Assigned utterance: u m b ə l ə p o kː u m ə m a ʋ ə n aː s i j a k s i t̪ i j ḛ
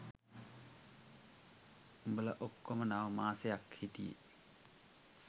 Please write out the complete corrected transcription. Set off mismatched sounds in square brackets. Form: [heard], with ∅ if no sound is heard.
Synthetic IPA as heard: u m b ə l ə [ʔ] o kː [o] m ə [n] a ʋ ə [m] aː s [e] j a k [h] i t̪ i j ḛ